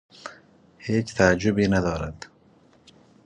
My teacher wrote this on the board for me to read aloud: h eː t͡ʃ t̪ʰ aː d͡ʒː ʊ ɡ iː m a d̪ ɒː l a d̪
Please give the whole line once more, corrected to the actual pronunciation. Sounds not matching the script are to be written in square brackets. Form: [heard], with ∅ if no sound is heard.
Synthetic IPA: h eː t͡ʃ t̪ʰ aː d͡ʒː ʊ [b] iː [n] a d̪ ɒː [ɾ] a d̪